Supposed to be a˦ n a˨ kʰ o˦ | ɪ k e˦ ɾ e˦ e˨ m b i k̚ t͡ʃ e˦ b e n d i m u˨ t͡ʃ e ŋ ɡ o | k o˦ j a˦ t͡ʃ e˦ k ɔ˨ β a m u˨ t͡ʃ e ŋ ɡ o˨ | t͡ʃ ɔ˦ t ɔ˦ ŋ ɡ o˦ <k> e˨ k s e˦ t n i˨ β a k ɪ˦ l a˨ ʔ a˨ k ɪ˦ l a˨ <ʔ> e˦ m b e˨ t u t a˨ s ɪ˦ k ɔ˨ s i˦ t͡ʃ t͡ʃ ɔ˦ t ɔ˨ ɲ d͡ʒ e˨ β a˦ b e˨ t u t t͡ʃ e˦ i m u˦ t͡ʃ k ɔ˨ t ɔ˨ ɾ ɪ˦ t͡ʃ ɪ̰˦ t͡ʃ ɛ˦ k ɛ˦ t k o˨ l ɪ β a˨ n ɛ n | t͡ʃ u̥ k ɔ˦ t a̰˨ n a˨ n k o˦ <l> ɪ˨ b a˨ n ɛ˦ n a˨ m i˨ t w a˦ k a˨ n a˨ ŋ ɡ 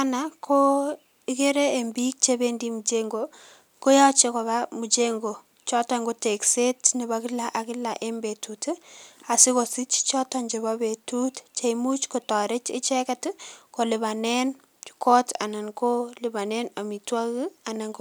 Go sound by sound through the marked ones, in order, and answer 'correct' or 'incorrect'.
incorrect: t, correct, correct

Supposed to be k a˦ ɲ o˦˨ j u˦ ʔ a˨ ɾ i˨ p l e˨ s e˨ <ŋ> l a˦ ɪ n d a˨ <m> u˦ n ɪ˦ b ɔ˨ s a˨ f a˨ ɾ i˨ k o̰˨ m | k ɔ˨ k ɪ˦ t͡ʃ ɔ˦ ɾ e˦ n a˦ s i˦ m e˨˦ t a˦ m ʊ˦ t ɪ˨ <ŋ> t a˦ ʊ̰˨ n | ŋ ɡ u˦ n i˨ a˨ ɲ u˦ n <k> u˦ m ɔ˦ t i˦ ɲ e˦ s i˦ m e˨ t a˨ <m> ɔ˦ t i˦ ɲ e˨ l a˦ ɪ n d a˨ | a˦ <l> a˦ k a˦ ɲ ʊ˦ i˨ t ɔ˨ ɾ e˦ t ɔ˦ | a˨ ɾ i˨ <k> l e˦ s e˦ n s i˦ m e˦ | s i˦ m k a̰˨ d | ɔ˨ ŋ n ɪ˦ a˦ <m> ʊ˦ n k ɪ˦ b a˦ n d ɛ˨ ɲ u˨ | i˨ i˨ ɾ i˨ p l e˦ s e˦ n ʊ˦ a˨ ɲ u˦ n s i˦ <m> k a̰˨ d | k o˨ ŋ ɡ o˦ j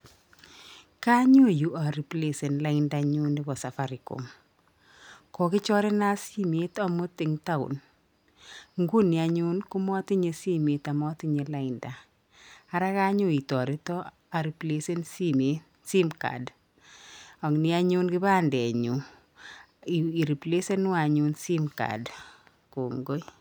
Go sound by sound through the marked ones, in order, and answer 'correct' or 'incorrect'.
incorrect: n, incorrect: ɲ, correct, correct, correct, incorrect: ɾ, incorrect: p, incorrect: ɲ, correct

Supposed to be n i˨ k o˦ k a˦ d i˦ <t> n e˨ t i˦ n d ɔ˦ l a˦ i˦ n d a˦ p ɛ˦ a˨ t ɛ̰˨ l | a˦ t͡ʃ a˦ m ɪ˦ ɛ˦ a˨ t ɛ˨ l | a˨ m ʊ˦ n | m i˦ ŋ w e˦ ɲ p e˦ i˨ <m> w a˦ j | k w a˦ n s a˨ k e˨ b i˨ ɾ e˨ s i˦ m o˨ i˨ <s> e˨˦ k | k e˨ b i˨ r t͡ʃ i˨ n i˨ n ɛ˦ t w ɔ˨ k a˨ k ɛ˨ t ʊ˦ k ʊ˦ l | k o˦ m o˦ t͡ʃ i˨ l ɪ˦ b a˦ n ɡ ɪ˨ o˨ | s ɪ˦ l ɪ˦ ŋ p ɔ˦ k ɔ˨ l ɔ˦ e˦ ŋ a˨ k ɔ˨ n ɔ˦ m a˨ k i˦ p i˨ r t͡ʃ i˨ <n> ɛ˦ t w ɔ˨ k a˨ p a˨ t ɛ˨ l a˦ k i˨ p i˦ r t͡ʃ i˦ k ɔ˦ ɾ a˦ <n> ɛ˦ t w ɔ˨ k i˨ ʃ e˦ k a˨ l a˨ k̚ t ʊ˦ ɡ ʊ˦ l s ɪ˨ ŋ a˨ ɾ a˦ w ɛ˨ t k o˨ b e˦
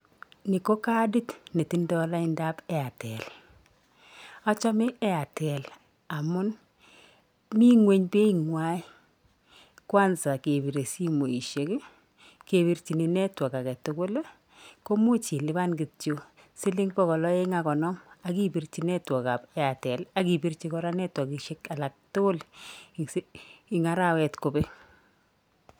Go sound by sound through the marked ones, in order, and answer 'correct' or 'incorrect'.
correct, incorrect: ŋ, incorrect: ʃ, correct, correct

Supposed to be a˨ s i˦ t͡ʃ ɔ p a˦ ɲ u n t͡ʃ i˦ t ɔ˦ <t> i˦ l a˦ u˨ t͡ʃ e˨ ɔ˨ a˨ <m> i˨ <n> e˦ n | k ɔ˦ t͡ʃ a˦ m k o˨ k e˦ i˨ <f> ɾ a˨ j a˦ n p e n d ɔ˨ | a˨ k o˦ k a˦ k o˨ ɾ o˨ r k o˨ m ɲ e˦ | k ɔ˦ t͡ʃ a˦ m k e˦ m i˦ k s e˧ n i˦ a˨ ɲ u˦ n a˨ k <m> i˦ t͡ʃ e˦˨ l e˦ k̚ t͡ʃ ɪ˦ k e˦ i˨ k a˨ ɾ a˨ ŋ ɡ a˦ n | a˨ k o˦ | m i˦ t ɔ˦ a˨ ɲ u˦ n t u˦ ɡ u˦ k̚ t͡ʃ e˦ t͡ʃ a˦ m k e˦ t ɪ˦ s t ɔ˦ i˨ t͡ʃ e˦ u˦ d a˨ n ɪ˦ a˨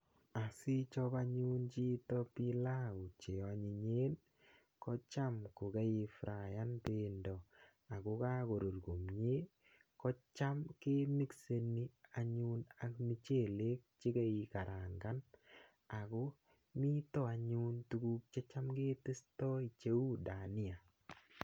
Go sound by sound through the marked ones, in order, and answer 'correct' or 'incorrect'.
incorrect: p, incorrect: ɲ, incorrect: ɲ, correct, correct

